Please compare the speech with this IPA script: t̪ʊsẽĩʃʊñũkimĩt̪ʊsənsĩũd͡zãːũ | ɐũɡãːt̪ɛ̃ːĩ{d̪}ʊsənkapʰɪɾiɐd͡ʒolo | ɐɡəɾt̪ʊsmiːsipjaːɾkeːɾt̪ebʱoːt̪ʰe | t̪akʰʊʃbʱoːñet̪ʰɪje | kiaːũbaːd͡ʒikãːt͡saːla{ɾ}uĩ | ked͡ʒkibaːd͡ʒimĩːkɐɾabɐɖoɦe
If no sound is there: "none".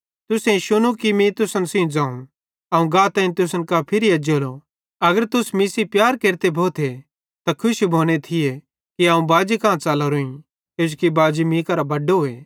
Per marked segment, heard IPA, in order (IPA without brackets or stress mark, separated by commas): t̪, ɾ